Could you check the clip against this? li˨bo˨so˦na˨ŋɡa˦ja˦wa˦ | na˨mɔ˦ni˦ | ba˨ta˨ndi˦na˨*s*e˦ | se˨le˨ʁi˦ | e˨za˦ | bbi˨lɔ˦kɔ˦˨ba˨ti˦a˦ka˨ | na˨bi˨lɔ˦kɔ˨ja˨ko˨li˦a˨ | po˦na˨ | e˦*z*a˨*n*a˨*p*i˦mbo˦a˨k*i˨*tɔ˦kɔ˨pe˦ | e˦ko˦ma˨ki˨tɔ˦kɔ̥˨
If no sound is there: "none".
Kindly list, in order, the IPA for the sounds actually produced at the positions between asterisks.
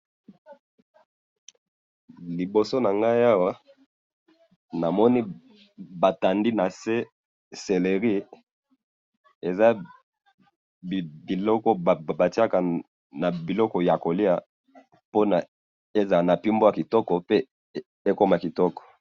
s, z, n, p, i˨

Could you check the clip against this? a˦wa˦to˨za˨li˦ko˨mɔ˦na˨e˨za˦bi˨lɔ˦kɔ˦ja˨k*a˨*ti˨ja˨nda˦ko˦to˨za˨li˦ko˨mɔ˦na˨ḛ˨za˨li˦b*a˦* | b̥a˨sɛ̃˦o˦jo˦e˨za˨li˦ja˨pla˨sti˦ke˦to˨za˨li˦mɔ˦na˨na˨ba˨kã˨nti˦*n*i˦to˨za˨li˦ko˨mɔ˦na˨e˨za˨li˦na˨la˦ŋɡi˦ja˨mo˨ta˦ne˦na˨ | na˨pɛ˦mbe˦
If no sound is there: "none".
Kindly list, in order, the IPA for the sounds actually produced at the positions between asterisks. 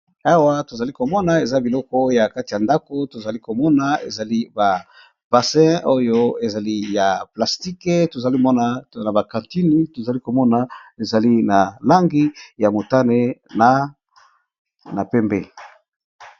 a˦, a˨, n

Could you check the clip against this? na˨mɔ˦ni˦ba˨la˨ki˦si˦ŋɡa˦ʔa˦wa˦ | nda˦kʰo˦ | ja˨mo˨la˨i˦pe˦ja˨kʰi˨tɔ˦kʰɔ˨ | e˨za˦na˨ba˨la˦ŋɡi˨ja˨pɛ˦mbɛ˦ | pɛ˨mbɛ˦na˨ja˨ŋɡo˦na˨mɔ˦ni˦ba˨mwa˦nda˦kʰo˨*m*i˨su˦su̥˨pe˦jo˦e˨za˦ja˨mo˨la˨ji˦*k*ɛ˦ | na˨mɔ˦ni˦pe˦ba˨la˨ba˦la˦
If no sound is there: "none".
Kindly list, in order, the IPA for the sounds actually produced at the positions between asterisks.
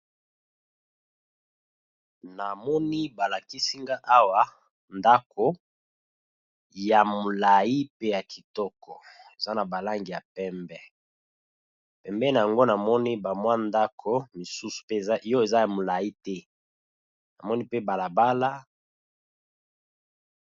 m, t

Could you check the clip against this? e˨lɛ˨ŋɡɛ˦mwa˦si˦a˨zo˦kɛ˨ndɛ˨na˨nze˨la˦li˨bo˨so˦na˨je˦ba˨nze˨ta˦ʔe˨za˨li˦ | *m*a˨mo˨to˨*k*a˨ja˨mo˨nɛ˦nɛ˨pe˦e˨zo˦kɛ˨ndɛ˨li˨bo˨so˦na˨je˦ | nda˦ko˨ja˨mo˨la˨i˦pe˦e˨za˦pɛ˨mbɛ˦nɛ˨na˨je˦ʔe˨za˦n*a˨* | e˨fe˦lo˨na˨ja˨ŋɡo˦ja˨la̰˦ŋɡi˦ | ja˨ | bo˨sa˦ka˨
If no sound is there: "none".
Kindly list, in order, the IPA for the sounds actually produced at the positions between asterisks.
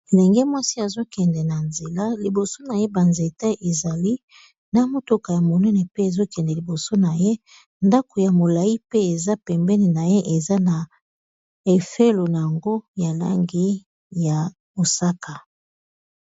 n, k, a˨

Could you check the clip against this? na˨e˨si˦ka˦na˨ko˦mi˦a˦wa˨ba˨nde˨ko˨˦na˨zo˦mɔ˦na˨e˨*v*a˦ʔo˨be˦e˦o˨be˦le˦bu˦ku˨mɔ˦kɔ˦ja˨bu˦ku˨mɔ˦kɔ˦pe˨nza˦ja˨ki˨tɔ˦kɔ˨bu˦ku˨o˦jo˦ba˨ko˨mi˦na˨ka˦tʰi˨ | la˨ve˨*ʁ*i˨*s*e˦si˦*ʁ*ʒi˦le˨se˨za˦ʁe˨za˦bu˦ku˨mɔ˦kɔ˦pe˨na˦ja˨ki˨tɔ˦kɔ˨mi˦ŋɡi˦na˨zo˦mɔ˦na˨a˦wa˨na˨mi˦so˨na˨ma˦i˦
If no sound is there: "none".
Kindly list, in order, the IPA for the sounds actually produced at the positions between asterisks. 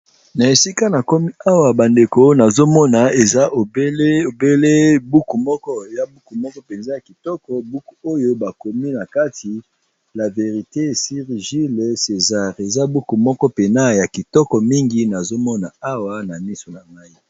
z, ʁ, t, ʁ

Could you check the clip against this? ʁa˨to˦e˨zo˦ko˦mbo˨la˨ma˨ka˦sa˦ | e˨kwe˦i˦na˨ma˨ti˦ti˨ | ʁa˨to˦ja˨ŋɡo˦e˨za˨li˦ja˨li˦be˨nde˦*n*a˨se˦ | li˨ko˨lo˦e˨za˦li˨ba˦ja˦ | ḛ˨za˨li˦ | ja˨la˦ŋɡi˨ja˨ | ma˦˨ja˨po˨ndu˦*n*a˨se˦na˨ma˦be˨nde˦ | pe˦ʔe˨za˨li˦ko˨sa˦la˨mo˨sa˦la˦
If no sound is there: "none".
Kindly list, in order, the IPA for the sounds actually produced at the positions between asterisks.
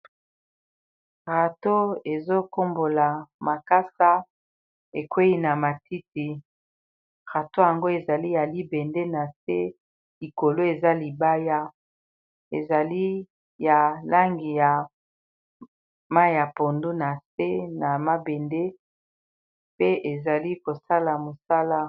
n, n

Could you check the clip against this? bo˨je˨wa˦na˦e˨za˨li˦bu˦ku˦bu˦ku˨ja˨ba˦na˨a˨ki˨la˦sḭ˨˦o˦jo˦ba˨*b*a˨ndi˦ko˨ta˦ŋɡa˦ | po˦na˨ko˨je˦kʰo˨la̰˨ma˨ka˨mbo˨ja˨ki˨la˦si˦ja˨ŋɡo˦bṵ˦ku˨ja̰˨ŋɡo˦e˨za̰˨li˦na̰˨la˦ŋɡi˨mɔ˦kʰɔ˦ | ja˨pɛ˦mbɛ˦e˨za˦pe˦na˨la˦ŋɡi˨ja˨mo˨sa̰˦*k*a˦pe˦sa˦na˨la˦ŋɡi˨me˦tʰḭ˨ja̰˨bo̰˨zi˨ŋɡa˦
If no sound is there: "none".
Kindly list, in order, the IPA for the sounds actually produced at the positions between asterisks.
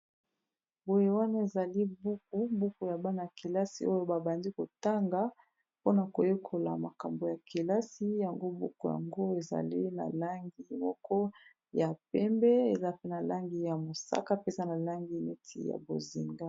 b, k

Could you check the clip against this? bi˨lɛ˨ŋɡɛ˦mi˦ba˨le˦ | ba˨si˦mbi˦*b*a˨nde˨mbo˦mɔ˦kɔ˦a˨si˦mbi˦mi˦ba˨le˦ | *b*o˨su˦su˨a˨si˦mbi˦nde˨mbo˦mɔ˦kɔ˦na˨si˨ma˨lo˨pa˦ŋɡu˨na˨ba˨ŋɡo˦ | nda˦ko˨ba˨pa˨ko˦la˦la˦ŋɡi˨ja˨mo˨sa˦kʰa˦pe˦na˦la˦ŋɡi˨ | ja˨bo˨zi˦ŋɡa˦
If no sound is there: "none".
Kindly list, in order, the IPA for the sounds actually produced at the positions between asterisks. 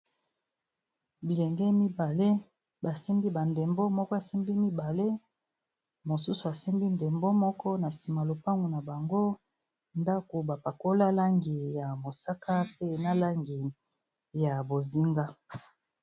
b, m

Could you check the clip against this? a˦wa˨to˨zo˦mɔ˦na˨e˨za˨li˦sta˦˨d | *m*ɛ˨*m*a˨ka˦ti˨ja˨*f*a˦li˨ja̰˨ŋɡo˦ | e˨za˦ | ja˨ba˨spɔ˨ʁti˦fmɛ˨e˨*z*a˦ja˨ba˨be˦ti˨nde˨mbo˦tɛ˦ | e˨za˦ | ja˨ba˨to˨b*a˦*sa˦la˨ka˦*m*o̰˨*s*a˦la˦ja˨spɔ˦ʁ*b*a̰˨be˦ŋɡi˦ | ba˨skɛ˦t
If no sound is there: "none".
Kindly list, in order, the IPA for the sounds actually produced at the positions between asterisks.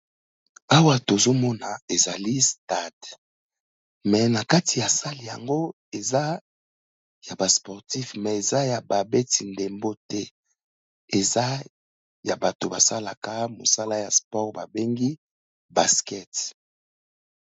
m, n, s, z, a˨, m, s, b

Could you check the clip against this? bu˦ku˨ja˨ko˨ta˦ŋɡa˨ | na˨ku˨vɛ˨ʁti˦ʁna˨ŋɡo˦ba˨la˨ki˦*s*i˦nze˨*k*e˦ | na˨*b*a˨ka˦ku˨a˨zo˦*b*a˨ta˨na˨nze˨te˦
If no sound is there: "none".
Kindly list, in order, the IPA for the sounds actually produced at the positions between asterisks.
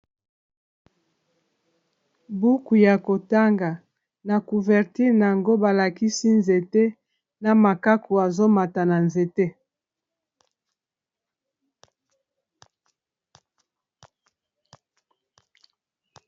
s, t, m, m

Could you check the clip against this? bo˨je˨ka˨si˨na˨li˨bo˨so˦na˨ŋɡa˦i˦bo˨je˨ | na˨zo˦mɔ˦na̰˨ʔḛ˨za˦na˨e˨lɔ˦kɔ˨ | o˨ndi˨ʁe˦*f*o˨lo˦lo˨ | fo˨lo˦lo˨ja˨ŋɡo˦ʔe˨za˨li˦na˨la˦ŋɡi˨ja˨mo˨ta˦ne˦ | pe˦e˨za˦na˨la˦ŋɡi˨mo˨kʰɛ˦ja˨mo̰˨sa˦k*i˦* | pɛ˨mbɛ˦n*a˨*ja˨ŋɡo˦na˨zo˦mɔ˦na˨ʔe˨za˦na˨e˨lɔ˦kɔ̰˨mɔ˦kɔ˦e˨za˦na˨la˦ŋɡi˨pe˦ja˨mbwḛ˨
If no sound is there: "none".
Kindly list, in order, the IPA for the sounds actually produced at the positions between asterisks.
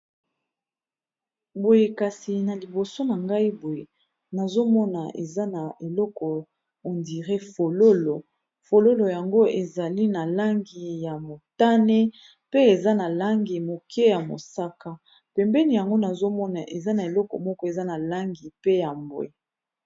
f, a˦, i˨

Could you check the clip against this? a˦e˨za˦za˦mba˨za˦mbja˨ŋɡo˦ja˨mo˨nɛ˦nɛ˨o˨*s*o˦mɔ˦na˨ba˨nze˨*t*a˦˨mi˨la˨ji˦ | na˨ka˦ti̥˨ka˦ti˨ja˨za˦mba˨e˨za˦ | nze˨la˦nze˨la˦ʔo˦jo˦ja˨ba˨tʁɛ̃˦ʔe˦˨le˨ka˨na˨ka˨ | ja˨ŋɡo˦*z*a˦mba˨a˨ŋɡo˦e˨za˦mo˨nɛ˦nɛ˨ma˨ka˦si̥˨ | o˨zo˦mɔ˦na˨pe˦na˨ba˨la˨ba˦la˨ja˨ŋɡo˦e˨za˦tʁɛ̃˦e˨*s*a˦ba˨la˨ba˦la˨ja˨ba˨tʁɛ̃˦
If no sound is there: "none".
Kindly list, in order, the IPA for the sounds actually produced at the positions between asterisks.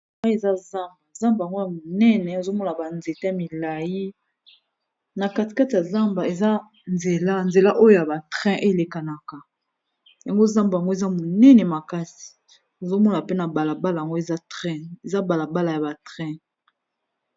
z, t, z, z

